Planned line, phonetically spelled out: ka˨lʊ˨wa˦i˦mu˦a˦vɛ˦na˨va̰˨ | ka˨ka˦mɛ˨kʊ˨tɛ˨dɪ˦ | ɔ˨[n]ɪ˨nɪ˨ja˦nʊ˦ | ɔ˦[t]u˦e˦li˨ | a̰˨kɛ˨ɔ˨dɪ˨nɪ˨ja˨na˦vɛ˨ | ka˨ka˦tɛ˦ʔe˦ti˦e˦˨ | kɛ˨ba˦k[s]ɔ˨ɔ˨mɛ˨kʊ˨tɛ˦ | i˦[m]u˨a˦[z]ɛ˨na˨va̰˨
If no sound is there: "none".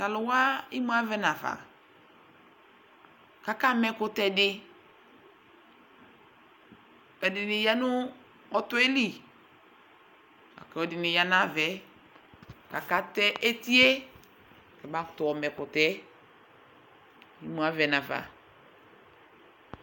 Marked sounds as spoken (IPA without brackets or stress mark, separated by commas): d, t, t, m, v